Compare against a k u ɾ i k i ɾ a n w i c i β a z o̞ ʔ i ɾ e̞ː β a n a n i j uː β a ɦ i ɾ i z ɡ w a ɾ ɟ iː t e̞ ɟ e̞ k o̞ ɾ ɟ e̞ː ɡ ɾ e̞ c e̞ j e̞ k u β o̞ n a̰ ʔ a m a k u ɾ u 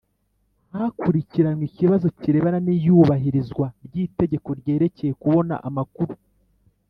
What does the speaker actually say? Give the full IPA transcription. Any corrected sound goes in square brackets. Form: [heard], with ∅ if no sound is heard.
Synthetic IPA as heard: a k u ɾ i [c] i ɾ a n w i c i β a z o̞ [c] i ɾ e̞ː β a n a n i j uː β a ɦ i ɾ i z ɡ w a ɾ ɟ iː t e̞ ɟ e̞ k o̞ ɾ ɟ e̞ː [∅] ɾ e̞ c e̞ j e̞ k u β o̞ n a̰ ʔ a m a k u ɾ u